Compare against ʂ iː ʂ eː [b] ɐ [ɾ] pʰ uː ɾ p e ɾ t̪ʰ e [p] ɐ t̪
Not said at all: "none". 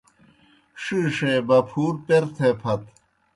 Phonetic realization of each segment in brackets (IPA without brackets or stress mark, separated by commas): b, none, pʰ